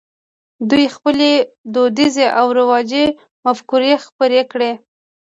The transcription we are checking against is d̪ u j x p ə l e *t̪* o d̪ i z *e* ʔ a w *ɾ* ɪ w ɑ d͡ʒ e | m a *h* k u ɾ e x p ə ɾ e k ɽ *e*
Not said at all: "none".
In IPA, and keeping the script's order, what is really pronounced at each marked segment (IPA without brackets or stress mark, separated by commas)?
d̪, e, ɾ, f, e